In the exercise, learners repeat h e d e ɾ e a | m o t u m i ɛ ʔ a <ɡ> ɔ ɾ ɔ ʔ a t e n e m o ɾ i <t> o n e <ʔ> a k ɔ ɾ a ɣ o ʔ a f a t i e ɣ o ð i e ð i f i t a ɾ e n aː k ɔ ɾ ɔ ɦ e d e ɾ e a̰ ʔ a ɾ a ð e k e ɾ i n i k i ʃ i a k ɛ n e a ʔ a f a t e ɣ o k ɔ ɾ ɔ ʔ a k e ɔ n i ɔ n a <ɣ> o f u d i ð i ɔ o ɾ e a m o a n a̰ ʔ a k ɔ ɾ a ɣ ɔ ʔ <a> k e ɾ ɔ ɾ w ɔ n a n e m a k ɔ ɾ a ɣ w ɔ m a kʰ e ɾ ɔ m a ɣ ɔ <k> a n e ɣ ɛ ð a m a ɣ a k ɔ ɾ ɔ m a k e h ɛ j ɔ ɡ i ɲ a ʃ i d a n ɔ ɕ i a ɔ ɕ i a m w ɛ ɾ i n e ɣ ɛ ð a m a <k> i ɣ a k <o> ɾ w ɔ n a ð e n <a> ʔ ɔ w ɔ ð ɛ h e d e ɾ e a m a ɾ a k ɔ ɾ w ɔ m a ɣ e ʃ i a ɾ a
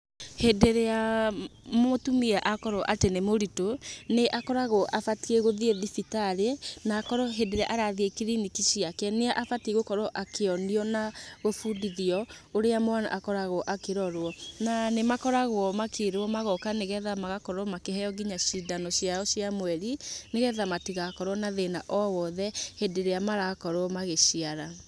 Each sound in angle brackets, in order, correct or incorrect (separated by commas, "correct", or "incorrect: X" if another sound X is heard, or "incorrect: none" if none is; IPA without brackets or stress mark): incorrect: k, correct, correct, correct, correct, correct, incorrect: t, incorrect: ɔ, correct